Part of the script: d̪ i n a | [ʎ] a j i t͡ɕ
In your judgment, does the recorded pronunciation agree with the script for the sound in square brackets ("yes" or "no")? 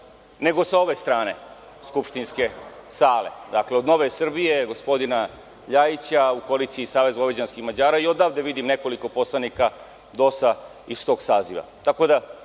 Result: yes